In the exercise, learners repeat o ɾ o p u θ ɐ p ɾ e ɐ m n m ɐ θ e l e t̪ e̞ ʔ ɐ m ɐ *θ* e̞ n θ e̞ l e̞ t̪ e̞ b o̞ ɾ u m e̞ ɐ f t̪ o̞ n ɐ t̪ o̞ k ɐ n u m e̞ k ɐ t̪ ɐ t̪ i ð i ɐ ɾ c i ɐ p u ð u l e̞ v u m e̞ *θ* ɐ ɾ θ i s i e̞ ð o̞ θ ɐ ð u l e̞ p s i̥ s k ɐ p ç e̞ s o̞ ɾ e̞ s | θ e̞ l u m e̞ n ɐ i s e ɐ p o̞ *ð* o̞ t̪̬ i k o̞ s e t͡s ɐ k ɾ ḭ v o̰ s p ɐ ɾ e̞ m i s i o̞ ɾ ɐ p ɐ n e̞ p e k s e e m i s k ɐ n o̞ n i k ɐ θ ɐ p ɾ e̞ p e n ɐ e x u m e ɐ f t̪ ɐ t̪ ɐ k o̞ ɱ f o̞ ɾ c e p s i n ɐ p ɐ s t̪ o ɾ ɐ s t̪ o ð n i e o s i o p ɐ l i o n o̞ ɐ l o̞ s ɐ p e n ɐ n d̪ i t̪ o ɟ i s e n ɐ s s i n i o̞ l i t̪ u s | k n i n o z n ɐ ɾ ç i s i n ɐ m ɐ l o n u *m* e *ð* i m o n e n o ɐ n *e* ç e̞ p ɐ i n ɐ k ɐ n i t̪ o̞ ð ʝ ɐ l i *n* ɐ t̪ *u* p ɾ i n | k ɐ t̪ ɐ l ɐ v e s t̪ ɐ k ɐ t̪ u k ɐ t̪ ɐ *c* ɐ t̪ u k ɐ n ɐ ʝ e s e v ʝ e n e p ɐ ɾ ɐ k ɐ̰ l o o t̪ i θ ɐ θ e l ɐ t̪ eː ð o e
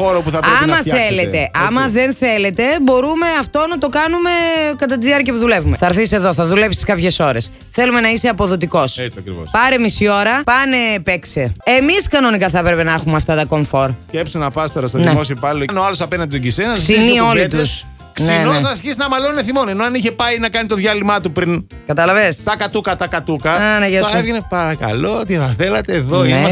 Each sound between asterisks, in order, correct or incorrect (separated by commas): incorrect, correct, correct, incorrect, incorrect, incorrect, incorrect, correct, incorrect